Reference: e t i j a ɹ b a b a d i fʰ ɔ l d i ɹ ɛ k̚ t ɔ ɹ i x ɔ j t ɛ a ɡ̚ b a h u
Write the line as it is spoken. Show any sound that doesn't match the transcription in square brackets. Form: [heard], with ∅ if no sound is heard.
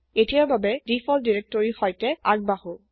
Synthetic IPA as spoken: e t i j a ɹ b a b [ɛ] d i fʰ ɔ l d i ɹ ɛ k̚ t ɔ ɹ i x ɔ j t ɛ a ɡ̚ b a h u